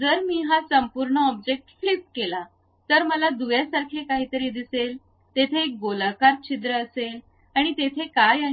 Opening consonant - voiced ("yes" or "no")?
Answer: yes